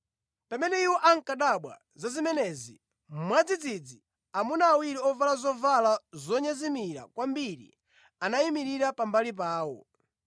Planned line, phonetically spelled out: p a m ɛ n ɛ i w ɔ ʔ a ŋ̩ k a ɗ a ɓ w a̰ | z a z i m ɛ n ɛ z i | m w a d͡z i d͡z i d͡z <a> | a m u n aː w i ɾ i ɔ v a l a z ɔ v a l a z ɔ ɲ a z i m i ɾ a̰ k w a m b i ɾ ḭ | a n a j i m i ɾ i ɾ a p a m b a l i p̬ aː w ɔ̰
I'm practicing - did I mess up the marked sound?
yes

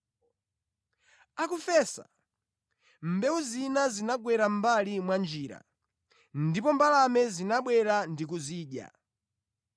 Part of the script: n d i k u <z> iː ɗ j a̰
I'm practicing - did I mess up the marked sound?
no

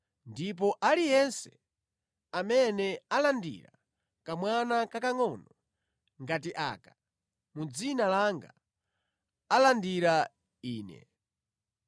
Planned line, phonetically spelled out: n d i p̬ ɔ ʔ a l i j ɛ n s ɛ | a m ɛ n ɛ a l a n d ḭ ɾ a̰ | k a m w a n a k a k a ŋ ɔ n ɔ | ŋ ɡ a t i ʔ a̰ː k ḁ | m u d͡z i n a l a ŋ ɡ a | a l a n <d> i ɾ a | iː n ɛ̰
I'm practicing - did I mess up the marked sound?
no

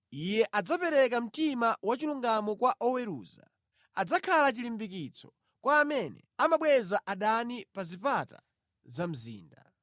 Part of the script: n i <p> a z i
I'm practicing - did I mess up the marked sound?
no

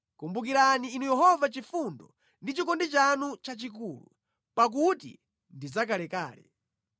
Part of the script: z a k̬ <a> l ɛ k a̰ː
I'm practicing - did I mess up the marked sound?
no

